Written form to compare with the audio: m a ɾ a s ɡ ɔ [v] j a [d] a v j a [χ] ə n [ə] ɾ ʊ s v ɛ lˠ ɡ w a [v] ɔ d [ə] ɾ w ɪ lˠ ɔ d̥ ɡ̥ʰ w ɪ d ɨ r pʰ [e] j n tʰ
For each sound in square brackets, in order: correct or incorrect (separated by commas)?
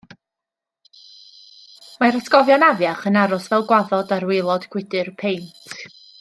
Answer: correct, incorrect, correct, incorrect, incorrect, incorrect, correct